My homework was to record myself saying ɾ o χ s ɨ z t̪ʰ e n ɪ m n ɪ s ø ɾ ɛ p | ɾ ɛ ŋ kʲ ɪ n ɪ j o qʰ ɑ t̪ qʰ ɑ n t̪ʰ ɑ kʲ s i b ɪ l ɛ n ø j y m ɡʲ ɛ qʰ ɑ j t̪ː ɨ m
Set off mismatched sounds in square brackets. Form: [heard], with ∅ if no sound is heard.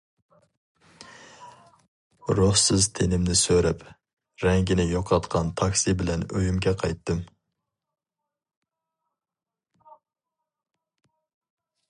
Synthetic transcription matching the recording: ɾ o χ s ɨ z t̪ʰ e n ɪ m n ɪ s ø ɾ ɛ p | ɾ ɛ ŋ [ɡʲ] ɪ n ɪ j o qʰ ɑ t̪ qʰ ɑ n t̪ʰ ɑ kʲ s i b ɪ l ɛ n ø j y m ɡʲ ɛ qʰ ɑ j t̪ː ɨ m